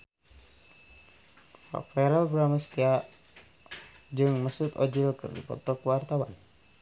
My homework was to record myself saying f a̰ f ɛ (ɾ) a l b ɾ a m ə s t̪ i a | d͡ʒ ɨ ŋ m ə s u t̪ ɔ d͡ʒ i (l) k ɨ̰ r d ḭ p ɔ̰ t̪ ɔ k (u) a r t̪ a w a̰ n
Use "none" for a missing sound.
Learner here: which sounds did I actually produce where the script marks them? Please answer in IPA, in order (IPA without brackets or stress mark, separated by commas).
ɾ, l, w